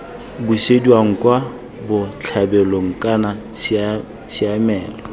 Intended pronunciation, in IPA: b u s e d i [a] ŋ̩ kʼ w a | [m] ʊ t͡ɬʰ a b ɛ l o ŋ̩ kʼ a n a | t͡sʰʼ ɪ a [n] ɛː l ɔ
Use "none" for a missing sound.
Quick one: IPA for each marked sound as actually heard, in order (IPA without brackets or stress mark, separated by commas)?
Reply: a, b, m